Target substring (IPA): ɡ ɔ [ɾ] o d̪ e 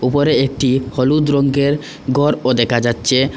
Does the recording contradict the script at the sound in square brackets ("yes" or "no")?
no